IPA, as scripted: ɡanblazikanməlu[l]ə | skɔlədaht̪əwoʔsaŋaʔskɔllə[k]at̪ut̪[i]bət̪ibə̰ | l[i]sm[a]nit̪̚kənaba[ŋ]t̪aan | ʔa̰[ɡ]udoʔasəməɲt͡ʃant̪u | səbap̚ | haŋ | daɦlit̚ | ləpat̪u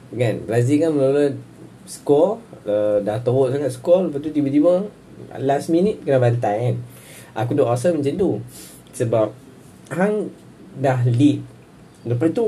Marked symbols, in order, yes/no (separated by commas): yes, no, yes, no, no, no, no